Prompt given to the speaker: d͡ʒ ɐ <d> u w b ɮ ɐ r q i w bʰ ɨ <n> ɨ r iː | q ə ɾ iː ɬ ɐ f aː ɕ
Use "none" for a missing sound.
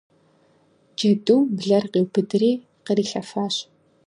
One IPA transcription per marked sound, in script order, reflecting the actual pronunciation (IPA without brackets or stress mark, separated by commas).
d, d